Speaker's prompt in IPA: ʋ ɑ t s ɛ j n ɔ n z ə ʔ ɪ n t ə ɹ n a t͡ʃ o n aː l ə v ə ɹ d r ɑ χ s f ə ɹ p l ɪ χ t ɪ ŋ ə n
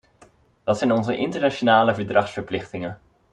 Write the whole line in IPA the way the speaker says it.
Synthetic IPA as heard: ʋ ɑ t s ɛ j n ɔ n z ə ʔ ɪ n t ə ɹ n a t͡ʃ o n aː l ə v ə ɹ d r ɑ χ s f ə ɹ p l ɪ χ t ɪ ŋ ə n